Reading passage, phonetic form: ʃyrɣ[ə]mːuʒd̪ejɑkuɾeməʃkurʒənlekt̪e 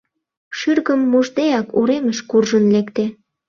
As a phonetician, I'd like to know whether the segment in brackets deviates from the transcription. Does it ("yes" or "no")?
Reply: no